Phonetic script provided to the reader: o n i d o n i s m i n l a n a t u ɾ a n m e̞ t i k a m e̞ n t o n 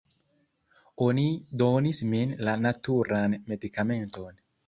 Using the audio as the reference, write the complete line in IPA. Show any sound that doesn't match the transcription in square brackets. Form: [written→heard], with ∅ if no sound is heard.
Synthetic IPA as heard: o n i d o n i s m i n l a n a t u ɾ a n m e̞ [t→d] i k a m e̞ n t o n